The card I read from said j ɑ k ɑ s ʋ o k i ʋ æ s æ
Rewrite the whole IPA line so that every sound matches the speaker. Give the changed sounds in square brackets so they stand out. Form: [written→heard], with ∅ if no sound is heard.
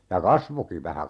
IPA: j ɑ k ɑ s ʋ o k i ʋ æ [s→h] æ